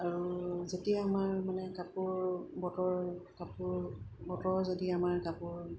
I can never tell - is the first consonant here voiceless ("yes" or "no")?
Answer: no